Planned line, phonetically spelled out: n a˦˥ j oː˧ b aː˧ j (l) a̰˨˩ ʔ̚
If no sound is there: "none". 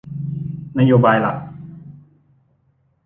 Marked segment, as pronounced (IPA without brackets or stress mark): l